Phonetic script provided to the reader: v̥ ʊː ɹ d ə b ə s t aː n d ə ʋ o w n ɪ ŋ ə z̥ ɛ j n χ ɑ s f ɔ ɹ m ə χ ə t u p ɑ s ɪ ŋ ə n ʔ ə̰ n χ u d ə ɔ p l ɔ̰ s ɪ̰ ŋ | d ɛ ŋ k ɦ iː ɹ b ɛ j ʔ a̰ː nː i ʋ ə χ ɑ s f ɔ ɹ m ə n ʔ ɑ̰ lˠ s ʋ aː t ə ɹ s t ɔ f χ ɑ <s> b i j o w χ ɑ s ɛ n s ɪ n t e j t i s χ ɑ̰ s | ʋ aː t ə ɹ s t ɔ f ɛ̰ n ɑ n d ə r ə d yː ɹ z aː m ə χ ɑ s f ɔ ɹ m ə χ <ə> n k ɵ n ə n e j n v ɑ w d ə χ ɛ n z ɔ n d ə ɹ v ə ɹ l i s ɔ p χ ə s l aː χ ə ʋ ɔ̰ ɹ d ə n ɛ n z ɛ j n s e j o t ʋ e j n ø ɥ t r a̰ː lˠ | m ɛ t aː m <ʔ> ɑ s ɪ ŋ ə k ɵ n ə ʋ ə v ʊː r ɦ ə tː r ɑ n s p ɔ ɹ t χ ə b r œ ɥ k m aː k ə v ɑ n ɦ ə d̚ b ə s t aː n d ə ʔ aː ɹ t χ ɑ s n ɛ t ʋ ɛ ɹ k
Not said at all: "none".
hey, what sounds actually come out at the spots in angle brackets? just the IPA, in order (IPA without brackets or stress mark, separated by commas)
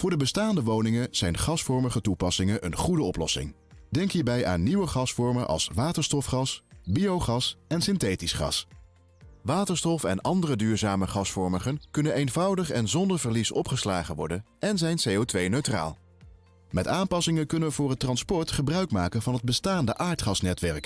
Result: s, ə, p